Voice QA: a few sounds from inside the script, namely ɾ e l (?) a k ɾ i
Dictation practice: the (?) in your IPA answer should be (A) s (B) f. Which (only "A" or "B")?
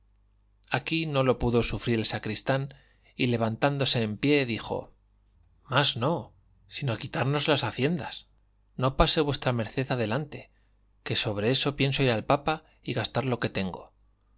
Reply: A